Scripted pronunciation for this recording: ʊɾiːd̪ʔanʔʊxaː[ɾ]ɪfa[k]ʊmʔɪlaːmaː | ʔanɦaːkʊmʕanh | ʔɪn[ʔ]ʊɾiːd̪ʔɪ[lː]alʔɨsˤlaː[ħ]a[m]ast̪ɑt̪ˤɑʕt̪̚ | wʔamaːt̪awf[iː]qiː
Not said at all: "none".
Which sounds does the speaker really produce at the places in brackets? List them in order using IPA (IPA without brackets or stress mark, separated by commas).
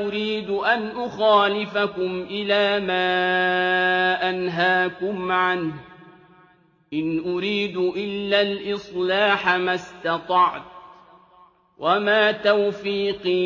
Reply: l, k, ʔ, lː, ħ, m, iː